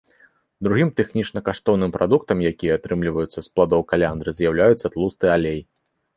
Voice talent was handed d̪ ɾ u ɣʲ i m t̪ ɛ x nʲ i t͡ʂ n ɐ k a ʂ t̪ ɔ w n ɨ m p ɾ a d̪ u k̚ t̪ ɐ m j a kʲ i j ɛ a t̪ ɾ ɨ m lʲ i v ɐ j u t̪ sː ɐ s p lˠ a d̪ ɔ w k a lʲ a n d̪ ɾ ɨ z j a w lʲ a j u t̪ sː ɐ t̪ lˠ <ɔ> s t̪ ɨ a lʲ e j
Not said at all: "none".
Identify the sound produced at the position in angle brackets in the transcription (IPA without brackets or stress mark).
u